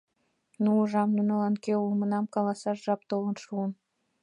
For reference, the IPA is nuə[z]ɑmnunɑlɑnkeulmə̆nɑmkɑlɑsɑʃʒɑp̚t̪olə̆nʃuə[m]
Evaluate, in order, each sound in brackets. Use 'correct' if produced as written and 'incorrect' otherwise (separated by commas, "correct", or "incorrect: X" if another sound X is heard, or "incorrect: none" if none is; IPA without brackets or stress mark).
incorrect: ʒ, incorrect: n